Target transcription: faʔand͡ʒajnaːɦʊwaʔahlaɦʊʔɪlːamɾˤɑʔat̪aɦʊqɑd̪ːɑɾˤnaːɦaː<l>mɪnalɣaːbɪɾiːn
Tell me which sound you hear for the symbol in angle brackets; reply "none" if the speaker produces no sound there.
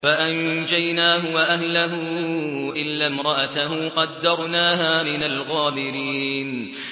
none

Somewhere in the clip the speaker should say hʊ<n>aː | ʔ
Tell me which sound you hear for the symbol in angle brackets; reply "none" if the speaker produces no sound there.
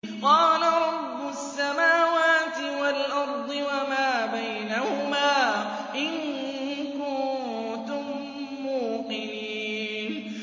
m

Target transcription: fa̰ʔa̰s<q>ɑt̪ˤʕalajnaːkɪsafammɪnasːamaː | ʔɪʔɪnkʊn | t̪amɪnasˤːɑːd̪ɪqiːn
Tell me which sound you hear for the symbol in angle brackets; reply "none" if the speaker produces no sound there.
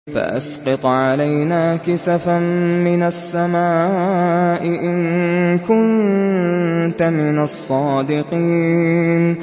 q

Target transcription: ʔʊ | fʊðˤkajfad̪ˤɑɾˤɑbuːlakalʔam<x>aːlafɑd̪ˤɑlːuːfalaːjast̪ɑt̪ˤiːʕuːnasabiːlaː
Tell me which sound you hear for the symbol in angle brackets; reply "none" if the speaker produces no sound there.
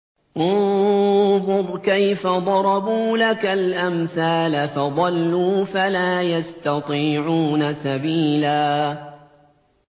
θ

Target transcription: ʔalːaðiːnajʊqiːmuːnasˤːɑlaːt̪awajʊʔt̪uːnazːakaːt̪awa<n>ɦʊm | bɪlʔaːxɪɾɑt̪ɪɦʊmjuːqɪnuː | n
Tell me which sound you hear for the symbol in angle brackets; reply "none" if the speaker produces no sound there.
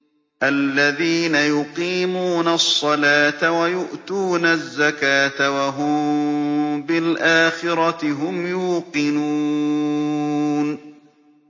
none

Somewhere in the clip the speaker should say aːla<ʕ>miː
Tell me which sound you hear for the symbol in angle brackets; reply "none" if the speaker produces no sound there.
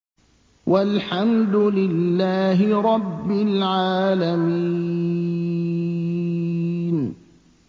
none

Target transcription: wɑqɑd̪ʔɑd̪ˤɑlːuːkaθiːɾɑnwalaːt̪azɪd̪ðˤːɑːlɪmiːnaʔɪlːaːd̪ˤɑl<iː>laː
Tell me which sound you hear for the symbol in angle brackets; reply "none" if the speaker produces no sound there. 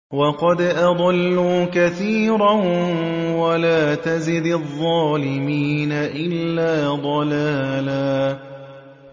aː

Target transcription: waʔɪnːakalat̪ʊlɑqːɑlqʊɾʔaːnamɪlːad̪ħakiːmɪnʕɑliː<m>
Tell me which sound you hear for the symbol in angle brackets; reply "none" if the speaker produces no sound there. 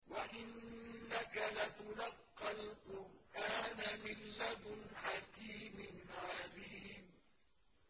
m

